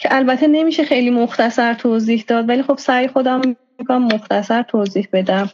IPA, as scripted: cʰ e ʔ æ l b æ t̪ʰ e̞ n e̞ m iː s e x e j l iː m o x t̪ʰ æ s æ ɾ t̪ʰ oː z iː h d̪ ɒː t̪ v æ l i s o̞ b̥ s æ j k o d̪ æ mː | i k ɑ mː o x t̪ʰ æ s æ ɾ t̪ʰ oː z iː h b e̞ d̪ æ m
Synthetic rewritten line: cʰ e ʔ æ l b æ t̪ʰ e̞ n e̞ m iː ʃ e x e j l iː m o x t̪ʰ æ s æ ɾ t̪ʰ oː z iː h d̪ ɒː d̪ v æ l i x o̞ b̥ s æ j x o d̪ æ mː | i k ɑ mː o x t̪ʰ æ s æ ɾ t̪ʰ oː z iː h b e̞ d̪ æ m